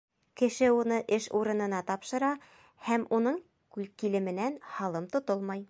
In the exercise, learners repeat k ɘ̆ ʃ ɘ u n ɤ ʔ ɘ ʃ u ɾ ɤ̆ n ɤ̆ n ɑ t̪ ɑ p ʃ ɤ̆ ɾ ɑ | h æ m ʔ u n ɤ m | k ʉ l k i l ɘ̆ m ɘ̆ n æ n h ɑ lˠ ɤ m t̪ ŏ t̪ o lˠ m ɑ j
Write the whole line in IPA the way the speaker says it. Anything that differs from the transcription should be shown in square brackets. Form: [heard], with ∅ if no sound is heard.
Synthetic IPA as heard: k ɘ̆ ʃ ɘ u n ɤ ʔ ɘ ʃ u ɾ ɤ̆ n ɤ̆ n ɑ t̪ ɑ p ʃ ɤ̆ ɾ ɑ | h æ m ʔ u n ɤ [ɴ] | k ʉ l k i l ɘ̆ m ɘ̆ n æ n h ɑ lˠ ɤ m t̪ ŏ t̪ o lˠ m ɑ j